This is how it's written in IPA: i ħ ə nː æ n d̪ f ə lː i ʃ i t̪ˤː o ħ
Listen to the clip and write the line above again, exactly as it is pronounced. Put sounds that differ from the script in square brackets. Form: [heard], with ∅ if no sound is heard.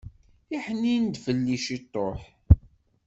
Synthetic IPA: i ħ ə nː [i] n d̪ f ə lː i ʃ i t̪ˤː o ħ